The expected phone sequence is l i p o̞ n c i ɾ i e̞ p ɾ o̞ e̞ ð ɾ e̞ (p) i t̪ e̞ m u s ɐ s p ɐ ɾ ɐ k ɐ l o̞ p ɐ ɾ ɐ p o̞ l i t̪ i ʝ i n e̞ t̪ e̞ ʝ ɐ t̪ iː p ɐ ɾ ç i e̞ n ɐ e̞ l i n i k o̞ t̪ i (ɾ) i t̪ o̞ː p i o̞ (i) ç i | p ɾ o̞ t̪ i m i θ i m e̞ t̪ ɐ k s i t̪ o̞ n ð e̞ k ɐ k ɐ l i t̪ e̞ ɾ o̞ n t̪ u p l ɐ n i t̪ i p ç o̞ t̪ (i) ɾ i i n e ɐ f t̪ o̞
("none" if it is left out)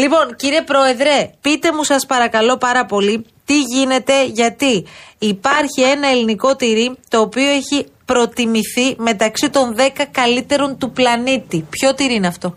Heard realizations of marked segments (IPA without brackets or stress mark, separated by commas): p, ɾ, e, i